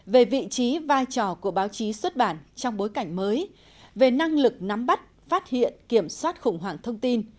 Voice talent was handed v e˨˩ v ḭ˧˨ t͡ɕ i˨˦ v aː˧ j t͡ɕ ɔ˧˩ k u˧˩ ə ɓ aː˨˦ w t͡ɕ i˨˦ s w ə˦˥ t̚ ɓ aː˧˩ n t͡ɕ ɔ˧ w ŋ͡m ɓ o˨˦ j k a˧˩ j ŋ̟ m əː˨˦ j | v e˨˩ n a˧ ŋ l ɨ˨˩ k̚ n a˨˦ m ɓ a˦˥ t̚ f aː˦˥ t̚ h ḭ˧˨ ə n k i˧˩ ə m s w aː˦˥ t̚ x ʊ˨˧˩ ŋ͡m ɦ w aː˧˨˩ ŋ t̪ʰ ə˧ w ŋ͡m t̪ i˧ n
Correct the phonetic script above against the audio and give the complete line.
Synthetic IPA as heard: v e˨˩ v ḭ˧˨ t͡ɕ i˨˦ v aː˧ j t͡ɕ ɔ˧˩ k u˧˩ ə ɓ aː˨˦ w t͡ɕ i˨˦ s w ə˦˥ t̚ ɓ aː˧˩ n t͡ɕ ɔ˧ w ŋ͡m ɓ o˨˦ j k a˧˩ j ŋ̟ m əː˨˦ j | v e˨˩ n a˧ ŋ l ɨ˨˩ k̚ n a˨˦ m ɓ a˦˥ t̚ f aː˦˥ t̚ h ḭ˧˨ ə n k i˧˩ ə m s w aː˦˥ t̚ x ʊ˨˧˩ ŋ͡m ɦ w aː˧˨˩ ŋ t̪ʰ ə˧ w ŋ͡m t̪ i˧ n